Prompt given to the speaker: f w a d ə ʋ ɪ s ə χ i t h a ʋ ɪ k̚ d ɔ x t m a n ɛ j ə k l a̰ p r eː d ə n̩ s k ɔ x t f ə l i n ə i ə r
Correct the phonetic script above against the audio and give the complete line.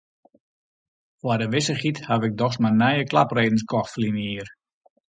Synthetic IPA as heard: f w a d ə ʋ ɪ s ə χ i t h a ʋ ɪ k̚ d ɔ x s m a n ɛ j ə k l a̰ p r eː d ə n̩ s k ɔ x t f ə l i n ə i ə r